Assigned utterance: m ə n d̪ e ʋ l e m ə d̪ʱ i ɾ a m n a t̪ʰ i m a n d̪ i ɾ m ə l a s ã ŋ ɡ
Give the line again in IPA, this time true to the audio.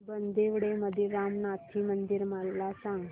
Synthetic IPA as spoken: b ə n d̪ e ʋ ɽ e m ə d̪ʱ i ɾ a m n a t̪ʰ i m ə n d̪ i ɾ m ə l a s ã ŋ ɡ